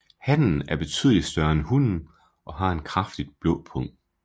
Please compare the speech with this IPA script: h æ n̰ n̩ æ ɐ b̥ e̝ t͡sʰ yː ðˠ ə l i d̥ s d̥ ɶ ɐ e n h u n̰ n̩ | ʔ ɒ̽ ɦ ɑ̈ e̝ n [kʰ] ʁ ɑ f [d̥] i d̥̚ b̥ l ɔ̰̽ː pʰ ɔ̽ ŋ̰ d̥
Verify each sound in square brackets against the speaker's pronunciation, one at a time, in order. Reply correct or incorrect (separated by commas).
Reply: correct, correct